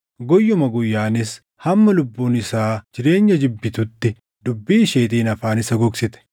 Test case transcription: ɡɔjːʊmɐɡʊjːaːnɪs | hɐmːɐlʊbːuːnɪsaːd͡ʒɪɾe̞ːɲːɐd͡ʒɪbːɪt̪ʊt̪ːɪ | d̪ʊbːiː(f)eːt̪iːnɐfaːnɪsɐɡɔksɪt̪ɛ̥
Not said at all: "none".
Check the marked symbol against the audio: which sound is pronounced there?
ʃ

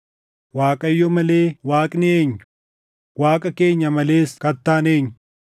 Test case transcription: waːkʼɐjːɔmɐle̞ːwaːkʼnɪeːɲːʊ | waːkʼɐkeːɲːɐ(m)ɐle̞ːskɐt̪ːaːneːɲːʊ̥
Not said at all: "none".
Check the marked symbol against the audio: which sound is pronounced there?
m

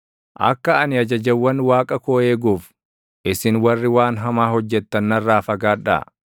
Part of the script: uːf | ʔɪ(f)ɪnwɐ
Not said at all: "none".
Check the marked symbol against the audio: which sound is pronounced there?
s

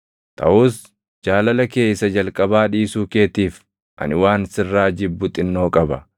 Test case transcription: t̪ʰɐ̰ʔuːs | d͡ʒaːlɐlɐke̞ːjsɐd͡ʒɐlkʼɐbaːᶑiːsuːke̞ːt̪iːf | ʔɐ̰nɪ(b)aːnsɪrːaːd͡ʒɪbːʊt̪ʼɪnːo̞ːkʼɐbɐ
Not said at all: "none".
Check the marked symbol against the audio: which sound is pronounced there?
w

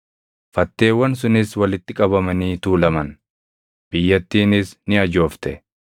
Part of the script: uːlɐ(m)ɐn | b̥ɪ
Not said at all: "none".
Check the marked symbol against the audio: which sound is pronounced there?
m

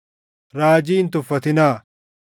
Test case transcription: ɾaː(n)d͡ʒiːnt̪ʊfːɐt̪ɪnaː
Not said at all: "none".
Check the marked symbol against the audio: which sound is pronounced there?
none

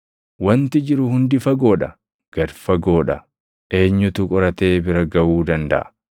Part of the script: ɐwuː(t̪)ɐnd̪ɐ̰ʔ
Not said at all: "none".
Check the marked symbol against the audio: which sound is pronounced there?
d̪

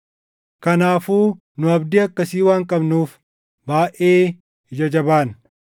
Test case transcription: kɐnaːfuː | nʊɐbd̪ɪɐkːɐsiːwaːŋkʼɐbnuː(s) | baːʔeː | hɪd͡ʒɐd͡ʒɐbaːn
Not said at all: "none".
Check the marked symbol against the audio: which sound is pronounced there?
f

